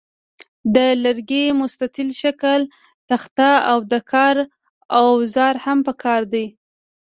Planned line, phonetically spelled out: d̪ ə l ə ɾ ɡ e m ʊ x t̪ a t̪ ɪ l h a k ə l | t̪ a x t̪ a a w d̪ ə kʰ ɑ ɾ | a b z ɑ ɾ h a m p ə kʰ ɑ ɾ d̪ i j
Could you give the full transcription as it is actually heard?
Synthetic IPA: d̪ ə l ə ɾ ɡ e m ʊ s t̪ a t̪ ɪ l ʃ a k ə l | t̪ a x t̪ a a w d̪ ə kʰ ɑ ɾ | a w z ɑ ɾ h a m p ə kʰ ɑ ɾ d̪ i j